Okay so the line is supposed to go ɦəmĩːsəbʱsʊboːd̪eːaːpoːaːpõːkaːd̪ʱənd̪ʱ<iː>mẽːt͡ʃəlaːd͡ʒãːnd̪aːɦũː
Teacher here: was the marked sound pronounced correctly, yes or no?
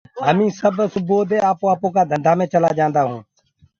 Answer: no